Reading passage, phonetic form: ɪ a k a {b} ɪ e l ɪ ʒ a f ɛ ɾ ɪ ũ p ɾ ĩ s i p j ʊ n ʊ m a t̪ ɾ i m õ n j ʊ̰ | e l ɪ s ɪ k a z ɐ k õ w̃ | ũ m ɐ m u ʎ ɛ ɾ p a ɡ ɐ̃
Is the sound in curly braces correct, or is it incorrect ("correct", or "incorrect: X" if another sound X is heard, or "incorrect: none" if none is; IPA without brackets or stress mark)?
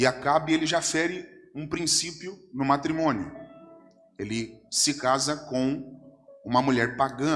correct